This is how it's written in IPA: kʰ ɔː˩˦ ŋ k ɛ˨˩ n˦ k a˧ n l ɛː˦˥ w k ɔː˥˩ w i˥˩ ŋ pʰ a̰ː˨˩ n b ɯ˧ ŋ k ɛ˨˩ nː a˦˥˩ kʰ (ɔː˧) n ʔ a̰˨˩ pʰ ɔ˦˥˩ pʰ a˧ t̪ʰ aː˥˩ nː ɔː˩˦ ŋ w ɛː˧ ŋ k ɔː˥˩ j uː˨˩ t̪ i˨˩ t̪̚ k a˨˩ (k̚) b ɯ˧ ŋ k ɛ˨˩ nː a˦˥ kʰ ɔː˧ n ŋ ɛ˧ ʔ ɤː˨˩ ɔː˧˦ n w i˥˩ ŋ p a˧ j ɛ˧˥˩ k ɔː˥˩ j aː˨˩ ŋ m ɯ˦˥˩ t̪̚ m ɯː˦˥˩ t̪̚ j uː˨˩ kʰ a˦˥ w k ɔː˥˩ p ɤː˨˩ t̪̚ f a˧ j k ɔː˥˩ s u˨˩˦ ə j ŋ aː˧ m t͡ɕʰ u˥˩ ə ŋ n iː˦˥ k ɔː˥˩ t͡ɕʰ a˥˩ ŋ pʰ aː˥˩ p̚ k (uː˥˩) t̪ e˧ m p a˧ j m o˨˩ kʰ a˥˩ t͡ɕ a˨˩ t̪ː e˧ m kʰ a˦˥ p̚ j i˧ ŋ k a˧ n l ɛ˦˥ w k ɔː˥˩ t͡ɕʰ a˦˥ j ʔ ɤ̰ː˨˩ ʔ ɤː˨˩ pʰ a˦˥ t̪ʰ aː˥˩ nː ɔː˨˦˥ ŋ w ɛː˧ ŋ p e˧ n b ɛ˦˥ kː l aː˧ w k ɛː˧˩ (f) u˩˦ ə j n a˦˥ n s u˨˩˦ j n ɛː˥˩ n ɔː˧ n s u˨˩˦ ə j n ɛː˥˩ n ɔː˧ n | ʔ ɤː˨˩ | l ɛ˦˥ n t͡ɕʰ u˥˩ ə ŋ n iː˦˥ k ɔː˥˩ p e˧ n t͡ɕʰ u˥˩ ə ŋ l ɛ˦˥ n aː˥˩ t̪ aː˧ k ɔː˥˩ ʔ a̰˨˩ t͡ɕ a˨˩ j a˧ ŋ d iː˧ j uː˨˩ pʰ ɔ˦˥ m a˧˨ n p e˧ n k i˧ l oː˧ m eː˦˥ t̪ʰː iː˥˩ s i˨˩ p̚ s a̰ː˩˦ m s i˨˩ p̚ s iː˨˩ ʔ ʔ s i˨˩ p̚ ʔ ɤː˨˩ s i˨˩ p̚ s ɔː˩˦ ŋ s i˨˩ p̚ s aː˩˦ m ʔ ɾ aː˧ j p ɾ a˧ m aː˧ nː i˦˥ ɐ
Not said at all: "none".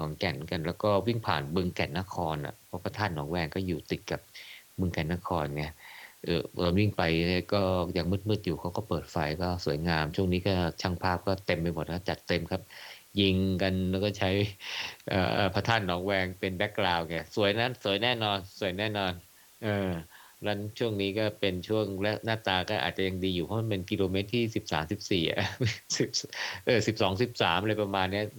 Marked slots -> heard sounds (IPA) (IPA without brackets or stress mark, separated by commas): ɔː˧, p̚, ɔː˥˩, s